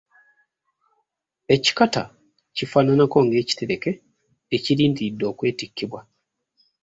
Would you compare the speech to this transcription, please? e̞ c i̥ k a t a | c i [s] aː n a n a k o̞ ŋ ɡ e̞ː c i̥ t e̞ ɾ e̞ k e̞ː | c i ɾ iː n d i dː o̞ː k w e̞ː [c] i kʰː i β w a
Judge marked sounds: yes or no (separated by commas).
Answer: no, no